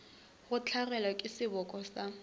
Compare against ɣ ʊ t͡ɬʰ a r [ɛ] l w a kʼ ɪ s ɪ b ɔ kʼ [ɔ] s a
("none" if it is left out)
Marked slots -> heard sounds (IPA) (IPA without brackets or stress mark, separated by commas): ɛ, ɔ